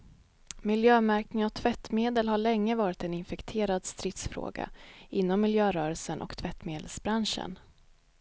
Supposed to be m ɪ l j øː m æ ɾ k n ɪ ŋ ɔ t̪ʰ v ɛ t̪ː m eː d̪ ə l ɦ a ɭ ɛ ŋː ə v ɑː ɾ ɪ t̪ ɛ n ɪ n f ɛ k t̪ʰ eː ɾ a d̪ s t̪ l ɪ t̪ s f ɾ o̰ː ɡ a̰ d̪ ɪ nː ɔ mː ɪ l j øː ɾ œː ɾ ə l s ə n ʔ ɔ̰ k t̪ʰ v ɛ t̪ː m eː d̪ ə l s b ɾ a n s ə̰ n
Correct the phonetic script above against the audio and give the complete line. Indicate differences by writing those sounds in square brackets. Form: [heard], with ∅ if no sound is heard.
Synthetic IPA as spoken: m ɪ l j øː m æ ɾ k n ɪ ŋ ɔ t̪ʰ v ɛ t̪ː m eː d̪ ə l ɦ a ɭ ɛ ŋː ə v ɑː ɾ ɪ t̪ ɛ n ɪ n f ɛ k t̪ʰ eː ɾ a d̪ s t̪ [ɾ] ɪ t̪ s f ɾ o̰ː ɡ a̰ [∅] ɪ nː ɔ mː ɪ l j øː ɾ œː ɾ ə l s ə n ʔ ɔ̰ k t̪ʰ v ɛ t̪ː m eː d̪ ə l s b ɾ a n [ʂ] ə̰ n